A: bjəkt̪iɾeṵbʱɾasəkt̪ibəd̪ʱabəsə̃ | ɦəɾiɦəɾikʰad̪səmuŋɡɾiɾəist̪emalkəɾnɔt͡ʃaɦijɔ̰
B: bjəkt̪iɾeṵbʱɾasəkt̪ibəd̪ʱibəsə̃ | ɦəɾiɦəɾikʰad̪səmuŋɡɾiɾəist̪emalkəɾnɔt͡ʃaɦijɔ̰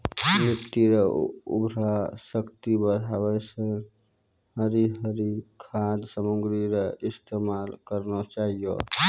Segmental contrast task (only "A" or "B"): A